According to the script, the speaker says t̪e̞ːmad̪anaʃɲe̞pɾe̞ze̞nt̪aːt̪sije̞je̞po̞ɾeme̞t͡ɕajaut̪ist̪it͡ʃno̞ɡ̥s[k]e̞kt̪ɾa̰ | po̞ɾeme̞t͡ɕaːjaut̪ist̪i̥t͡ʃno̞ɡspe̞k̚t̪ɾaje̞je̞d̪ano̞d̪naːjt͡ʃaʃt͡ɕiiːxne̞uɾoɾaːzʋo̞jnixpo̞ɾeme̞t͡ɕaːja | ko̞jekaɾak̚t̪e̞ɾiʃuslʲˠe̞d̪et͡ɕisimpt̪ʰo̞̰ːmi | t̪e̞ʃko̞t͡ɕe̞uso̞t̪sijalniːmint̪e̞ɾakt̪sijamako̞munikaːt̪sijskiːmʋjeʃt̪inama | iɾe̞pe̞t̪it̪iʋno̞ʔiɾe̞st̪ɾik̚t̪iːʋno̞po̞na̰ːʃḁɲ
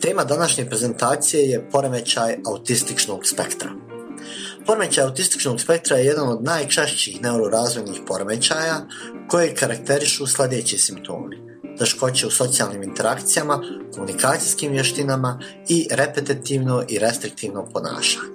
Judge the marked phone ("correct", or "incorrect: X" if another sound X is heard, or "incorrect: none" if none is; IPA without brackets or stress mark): incorrect: p